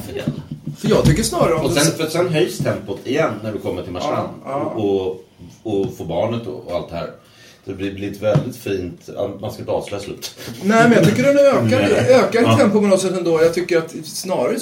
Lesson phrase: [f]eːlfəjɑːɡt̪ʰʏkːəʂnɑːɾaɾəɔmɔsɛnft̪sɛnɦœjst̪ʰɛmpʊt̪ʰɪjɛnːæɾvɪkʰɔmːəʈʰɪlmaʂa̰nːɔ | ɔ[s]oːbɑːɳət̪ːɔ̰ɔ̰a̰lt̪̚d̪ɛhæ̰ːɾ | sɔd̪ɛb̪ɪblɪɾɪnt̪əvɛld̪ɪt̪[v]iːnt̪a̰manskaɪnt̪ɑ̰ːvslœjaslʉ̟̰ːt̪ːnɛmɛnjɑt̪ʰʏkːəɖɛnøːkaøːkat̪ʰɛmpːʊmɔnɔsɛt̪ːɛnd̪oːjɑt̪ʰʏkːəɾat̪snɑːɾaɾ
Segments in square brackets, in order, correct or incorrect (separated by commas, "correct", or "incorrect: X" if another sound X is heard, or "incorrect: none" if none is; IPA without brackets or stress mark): correct, incorrect: f, incorrect: f